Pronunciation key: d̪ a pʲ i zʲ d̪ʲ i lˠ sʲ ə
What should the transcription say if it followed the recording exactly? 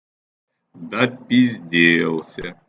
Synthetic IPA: d̪ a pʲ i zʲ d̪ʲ e lˠ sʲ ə

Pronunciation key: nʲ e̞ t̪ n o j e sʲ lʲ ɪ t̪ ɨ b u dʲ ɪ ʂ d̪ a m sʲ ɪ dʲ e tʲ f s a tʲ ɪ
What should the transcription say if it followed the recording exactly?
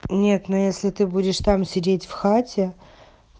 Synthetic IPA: nʲ e̞ t̪ n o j e sʲ lʲ ɪ t̪ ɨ b u dʲ ɪ ʂ t̪ a m sʲ ɪ dʲ e tʲ f x a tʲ ɪ

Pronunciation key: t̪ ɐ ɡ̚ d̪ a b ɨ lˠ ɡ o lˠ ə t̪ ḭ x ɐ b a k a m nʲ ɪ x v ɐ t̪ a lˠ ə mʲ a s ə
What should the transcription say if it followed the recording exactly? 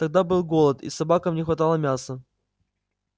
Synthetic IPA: t̪ ɐ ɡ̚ d̪ a b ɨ lˠ ɡ o lˠ ə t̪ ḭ s ɐ b a k ə m nʲ ɪ x v ɐ t̪ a lˠ ə mʲ a s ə

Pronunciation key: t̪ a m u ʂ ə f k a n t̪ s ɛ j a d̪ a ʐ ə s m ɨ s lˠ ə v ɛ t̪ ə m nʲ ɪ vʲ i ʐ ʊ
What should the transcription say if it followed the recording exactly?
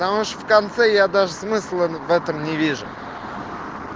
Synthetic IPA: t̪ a m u ʂ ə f k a n t̪ s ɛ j a d̪ a ʐ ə s m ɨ s lˠ ə v ɛ t̪ ə m nʲ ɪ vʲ i ʐ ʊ

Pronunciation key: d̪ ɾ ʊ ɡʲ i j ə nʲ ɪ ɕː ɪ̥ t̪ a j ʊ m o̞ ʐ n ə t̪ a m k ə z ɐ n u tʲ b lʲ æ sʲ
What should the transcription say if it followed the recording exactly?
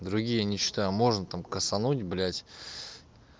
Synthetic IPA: d̪ ɾ ʊ ɡʲ i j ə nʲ ɪ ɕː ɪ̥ t̪ a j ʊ m o̞ ʐ n ə t̪ a m k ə s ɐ n u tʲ b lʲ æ tʲ

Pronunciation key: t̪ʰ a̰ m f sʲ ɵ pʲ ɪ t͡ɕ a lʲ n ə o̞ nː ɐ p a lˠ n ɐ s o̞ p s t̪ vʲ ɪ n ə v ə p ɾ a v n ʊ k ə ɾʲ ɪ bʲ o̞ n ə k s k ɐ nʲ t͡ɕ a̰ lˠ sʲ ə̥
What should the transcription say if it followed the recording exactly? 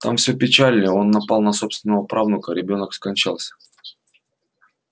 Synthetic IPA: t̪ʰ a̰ m f sʲ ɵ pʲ ɪ t͡ɕ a lʲ n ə o̞ nː ɐ p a lˠ n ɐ s o̞ p s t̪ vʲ ɪ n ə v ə p ɾ a v n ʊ k ə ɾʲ ɪ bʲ o̞ n ə k s k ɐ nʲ t͡ɕ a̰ lˠ sʲ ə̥

